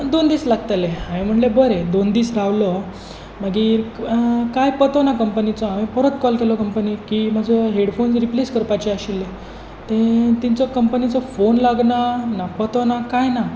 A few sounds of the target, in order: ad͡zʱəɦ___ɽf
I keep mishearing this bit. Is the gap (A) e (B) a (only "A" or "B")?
A